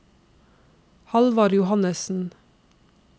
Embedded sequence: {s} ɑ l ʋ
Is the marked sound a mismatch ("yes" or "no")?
yes